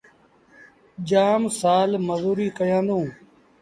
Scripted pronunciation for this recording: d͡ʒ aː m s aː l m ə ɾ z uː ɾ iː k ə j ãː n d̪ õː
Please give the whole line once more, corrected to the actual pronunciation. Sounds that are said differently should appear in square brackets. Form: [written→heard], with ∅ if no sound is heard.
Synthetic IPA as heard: d͡ʒ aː m s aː l m ə [ɾ→∅] z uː ɾ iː k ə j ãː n d̪ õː